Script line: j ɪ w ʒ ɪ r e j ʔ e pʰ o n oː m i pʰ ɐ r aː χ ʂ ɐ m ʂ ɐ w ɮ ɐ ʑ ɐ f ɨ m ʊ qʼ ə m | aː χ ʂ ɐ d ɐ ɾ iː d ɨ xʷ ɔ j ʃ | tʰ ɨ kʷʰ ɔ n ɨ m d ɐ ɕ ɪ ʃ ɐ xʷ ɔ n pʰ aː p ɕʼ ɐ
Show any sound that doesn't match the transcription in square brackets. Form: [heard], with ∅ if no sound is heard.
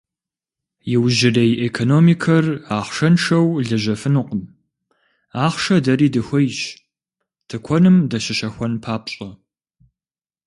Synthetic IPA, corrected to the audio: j ɪ w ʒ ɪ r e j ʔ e [kʰ] o n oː m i [kʰ] ɐ r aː χ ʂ ɐ [n] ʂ ɐ w ɮ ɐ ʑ ɐ f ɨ [n] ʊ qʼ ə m | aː χ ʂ ɐ d ɐ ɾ iː d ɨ xʷ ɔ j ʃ | tʰ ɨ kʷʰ ɔ n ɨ m d ɐ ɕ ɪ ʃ ɐ xʷ ɔ n pʰ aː p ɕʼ ɐ